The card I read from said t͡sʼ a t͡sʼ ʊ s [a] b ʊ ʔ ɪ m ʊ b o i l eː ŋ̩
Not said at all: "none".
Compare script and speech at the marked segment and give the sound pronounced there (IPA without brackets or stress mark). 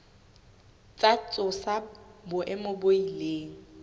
a